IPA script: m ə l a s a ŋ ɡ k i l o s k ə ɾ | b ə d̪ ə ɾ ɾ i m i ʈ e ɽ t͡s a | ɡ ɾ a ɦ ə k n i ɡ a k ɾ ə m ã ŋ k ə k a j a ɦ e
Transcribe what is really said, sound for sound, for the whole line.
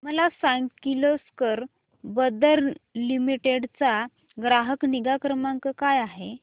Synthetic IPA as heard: m ə l a s a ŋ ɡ k i l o s k ə ɾ | b ə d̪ ə ɾ l i m i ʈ e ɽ t͡s a | ɡ ɾ a ɦ ə k n i ɡ a k ɾ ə m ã ŋ k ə k a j a ɦ e

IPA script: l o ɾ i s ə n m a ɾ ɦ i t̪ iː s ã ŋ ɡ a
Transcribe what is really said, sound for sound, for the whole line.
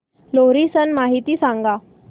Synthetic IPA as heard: l o ɾ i s ə n m a ɦ i t̪ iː s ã ŋ ɡ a

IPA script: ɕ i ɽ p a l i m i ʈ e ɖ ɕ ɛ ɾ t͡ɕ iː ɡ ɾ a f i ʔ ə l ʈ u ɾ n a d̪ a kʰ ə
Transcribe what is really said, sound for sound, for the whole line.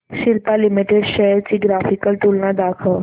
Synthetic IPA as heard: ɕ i l p a l i m i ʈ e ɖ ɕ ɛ ɾ t͡ɕ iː ɡ ɾ a f i k ə l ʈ u l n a d̪ a kʰ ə

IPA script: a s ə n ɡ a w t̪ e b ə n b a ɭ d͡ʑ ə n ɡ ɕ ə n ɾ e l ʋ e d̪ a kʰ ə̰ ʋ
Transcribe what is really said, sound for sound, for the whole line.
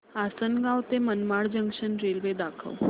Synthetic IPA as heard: a s ə n ɡ a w t̪ e m ə n m a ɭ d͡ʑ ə ŋ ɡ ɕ ə n ɾ e l ʋ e d̪ a kʰ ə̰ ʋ

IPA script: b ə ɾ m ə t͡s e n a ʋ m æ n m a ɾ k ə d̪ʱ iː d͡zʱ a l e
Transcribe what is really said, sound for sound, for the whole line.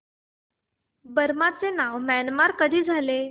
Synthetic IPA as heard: b ə ɾ m a t͡s e n a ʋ m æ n m a ɾ k ə d̪ʱ iː d͡zʱ a l e

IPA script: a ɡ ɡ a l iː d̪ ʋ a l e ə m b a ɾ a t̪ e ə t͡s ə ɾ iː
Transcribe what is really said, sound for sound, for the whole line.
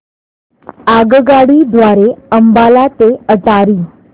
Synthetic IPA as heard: a ɡ ɡ a ɽ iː d̪ ʋ a ɾ e ə m b a l a t̪ e ə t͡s a ɾ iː

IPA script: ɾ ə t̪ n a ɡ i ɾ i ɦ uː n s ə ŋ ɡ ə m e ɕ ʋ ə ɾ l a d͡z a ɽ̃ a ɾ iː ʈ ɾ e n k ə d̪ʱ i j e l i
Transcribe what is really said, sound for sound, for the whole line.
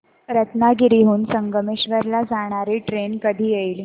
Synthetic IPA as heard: ɾ ə t̪ n a ɡ i ɾ i ɦ uː n s ə ŋ ɡ ə m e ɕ ʋ ə ɾ l a d͡z a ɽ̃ a ɾ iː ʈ ɾ e n k ə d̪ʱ iː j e l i

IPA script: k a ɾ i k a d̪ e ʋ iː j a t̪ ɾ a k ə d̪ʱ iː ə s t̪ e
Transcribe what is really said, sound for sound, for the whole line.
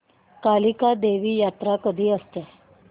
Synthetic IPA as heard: k a l i k a d̪ e ʋ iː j a t̪ ɾ a k ə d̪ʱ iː ə s t̪ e

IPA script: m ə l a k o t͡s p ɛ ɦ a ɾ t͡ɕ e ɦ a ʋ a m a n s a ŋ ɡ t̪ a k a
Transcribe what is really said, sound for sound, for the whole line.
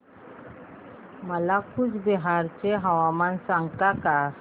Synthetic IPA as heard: m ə l a k u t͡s b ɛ ɦ a ɾ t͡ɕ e ɦ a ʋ a m a n s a ŋ ɡ t̪ a k a

